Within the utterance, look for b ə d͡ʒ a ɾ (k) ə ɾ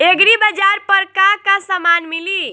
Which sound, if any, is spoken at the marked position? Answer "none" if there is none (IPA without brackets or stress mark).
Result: p